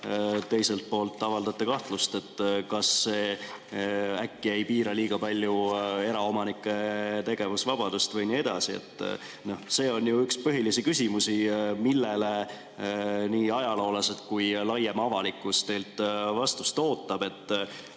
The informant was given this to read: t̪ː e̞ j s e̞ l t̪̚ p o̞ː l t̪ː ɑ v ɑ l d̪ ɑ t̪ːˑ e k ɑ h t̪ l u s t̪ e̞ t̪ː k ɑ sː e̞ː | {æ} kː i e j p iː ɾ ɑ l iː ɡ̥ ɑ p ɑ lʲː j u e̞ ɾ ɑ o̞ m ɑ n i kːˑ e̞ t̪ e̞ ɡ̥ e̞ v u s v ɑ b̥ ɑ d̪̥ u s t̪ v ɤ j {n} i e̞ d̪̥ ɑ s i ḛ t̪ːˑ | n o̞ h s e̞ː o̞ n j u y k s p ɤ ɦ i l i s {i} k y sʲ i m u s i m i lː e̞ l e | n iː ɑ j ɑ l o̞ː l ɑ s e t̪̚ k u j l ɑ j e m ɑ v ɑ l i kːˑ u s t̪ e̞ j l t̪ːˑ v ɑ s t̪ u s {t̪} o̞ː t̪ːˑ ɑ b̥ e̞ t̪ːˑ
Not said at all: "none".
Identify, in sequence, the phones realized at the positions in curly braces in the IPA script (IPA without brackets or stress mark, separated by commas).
æ, n, i, t̪